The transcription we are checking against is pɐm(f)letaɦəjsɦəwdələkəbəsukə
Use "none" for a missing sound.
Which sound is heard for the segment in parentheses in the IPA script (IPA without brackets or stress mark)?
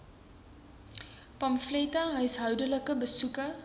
f